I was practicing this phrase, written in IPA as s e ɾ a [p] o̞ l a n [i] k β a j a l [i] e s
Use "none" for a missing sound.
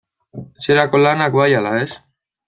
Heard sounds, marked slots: k, a, a

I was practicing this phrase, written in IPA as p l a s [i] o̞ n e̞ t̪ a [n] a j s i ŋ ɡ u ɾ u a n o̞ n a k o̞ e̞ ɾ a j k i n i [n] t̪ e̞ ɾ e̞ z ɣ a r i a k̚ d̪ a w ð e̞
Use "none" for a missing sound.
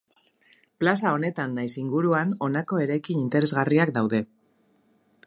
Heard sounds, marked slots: a, nː, n

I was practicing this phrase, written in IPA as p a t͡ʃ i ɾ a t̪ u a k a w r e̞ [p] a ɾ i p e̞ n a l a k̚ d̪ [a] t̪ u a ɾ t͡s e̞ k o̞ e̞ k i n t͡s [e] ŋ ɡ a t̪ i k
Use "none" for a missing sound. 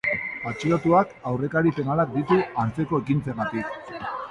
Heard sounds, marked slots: k, i, e

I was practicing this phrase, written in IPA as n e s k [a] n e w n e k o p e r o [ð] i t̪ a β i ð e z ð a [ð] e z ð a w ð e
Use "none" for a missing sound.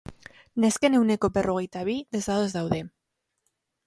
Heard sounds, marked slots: e, ɣ, ð

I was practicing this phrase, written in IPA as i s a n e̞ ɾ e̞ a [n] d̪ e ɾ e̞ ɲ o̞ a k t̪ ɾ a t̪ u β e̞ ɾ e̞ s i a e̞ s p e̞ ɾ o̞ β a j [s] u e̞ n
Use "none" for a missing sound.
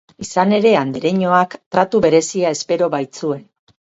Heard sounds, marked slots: n, t͡s

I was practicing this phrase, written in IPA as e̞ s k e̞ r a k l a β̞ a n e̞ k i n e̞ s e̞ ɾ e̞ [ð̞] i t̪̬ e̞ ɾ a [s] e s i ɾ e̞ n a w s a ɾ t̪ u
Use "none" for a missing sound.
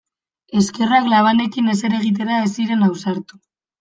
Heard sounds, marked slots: ɣ̞, none

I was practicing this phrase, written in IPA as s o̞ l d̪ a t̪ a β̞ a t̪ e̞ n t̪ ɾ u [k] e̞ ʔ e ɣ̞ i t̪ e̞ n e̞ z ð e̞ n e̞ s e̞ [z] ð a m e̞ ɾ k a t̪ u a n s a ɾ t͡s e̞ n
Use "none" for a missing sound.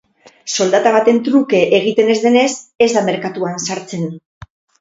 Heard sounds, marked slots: k, z

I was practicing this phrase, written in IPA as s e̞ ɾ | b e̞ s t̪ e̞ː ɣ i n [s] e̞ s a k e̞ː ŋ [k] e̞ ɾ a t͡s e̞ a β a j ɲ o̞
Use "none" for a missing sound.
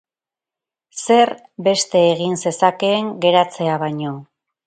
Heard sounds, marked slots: s, ɡ

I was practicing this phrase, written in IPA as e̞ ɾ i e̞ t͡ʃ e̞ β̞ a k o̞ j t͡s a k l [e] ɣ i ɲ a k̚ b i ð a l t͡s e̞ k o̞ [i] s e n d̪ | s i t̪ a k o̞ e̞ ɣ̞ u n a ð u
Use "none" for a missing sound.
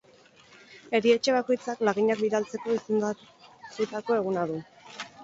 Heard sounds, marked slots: a, i

